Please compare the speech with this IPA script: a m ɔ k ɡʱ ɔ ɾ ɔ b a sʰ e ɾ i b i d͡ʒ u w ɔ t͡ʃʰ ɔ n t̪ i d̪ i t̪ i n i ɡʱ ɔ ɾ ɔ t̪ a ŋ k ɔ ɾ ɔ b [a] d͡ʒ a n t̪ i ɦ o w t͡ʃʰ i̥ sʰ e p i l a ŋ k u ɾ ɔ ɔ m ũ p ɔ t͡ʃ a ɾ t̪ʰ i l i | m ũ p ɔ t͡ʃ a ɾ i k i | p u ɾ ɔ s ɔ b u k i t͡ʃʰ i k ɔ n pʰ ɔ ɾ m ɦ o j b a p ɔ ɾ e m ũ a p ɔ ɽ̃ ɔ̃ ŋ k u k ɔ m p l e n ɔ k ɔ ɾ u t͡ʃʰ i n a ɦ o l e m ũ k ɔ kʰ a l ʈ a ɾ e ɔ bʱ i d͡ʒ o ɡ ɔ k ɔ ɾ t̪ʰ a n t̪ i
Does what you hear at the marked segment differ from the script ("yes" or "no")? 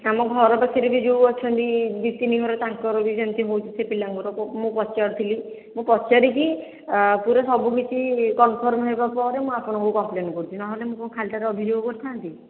yes